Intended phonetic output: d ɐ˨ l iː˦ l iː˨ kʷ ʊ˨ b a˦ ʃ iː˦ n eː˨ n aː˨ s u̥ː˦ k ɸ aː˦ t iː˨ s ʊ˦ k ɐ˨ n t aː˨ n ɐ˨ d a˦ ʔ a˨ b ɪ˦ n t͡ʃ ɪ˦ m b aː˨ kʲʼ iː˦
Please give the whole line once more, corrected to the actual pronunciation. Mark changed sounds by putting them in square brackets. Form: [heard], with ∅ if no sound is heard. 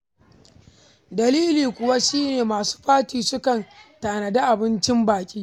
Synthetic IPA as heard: d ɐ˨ l iː˦ l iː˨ kʷ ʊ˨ [w] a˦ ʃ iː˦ n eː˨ [m] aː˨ s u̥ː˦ [∅] ɸ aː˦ t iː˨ s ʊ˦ k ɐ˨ n t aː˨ n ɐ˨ d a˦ ʔ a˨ b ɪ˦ n t͡ʃ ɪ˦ m b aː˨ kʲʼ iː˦